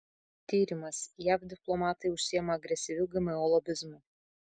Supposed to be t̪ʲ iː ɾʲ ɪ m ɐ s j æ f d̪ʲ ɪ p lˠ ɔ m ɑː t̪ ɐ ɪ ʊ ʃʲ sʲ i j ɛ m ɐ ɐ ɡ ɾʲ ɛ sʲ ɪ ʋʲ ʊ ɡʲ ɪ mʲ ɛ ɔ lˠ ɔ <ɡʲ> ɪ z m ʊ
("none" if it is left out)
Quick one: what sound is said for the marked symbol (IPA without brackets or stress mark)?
bʲ